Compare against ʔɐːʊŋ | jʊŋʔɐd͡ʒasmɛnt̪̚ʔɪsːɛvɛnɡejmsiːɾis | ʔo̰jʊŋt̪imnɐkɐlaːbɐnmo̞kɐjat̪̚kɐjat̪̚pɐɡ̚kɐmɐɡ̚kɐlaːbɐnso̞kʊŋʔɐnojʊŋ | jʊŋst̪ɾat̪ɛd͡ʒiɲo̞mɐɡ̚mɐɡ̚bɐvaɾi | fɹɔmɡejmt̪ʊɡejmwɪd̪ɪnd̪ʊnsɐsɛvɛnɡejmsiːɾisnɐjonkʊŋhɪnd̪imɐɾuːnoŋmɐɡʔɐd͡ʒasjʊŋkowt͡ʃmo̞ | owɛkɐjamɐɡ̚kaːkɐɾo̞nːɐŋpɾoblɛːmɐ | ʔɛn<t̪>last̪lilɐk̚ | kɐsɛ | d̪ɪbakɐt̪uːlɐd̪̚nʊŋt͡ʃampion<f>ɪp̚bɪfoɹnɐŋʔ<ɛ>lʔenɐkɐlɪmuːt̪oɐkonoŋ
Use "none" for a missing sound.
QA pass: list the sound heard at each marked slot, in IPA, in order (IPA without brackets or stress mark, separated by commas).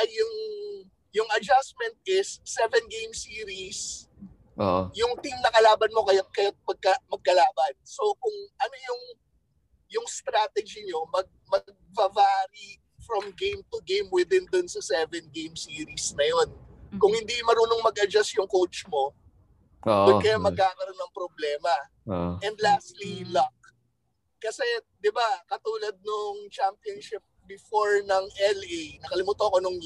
d̪, ʃ, ɛ